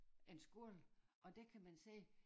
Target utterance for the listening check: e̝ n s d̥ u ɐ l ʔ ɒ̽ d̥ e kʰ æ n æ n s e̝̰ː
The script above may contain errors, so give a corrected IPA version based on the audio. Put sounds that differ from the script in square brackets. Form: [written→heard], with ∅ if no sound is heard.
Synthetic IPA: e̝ n s [d̥→ɡ̥] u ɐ l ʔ ɒ̽ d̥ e kʰ æ [n→m] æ n s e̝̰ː

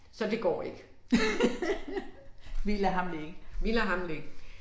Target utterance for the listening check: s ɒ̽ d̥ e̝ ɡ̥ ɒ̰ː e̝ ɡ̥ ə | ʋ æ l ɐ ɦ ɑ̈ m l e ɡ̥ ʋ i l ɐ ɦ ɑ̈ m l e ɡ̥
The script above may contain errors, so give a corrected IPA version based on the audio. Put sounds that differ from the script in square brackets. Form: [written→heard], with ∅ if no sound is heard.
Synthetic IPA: s ɒ̽ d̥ e̝ ɡ̥ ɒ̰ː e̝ ɡ̥ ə | ʋ [æ→i] l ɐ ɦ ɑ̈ m l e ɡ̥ ʋ i l ɐ ɦ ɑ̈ m l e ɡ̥

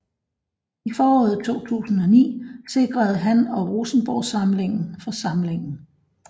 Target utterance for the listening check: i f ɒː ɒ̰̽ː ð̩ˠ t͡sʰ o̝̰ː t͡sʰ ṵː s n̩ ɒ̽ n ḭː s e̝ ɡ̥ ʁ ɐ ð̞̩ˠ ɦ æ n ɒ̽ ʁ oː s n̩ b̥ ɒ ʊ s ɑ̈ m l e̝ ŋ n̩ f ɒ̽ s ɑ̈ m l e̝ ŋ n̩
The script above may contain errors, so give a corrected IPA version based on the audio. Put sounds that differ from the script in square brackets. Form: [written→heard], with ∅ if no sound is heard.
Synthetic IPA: i f ɒː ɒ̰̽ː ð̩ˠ t͡sʰ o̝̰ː t͡sʰ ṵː s n̩ ɒ̽ n ḭː s e̝ ɡ̥ ʁ ɐ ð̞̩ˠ ɦ æ n ɒ̽ ʁ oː s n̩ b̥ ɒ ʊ s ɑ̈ m l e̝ ŋ n̩ f ɒ̽ s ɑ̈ m l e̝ ŋ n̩

